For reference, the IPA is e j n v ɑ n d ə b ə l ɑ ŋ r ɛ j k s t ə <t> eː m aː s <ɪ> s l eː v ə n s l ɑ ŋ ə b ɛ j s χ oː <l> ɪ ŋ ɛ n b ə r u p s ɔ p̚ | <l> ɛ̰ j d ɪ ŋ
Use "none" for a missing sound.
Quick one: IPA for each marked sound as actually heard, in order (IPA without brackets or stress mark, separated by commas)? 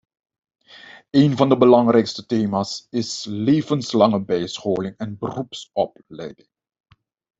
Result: t, ɪ, l, l